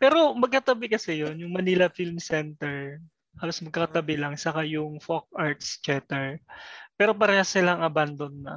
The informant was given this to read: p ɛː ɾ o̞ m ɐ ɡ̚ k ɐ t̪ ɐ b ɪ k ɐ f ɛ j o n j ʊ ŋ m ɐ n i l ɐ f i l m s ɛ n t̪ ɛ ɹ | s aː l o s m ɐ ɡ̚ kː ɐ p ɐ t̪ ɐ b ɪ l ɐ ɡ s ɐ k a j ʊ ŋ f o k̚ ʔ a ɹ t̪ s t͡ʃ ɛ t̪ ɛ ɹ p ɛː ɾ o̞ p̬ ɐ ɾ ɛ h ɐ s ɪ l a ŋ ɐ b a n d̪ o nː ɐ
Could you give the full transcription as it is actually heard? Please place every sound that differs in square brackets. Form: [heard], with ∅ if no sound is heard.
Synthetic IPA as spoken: p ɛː ɾ o̞ m ɐ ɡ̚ k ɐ t̪ ɐ b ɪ k ɐ [s] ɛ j o n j ʊ ŋ m ɐ n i l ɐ f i l m s ɛ n t̪ ɛ ɹ | [h] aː l o s m ɐ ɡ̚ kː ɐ [k] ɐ t̪ ɐ b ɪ l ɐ [ŋ] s ɐ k a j ʊ ŋ f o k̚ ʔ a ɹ t̪ s t͡ʃ ɛ t̪ ɛ ɹ p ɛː ɾ o̞ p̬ ɐ ɾ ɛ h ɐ s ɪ l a ŋ ɐ b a n d̪ o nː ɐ